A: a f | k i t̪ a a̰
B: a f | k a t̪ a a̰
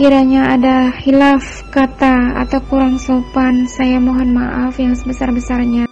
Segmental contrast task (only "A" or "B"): B